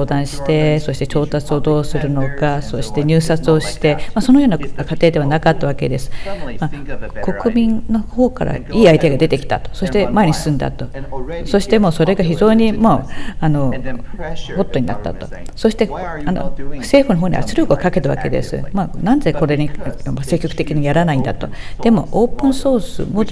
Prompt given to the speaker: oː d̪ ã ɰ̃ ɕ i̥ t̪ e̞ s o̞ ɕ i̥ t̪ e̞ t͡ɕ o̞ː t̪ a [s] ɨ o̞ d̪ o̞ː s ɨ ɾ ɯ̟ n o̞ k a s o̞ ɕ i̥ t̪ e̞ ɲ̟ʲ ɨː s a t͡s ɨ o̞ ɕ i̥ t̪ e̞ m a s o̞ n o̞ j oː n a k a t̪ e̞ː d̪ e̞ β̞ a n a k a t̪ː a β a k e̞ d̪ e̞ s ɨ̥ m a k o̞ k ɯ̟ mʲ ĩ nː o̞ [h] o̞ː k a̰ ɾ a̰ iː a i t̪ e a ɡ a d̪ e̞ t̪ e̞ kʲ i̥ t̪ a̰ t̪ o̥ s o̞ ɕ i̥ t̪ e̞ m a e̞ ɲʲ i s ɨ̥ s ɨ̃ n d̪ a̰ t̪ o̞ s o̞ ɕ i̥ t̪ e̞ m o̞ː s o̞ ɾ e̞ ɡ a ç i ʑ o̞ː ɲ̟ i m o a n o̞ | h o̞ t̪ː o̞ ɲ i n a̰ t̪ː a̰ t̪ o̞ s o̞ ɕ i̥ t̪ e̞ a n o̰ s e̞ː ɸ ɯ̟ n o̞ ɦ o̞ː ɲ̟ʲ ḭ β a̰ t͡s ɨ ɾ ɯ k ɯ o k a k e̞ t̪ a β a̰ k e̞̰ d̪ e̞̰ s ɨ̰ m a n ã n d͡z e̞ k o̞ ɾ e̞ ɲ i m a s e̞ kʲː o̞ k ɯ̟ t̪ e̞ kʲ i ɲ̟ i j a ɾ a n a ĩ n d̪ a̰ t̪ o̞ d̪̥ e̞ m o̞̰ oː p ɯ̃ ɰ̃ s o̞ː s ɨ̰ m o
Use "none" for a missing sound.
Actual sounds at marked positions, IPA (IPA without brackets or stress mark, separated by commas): t͡s, h